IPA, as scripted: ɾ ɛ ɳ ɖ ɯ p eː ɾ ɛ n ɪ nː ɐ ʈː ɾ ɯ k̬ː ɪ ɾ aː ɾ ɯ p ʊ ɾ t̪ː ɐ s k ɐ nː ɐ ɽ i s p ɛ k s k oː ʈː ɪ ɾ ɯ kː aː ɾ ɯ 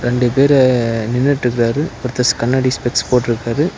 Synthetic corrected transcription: ɾ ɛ ɳ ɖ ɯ p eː ɾ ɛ n ɪ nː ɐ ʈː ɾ ɯ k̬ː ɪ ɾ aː ɾ ɯ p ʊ ɾ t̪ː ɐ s k ɐ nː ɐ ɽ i s p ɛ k s p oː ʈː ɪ ɾ ɯ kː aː ɾ ɯ